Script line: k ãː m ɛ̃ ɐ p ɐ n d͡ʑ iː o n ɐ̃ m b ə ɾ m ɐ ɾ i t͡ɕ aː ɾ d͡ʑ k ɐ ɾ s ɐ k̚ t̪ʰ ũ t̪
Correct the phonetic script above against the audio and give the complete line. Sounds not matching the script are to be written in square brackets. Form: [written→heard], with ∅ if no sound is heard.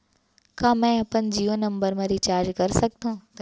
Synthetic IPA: k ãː m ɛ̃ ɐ p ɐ n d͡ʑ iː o n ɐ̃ m b ə ɾ m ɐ ɾ i t͡ɕ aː ɾ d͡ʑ k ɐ ɾ s ɐ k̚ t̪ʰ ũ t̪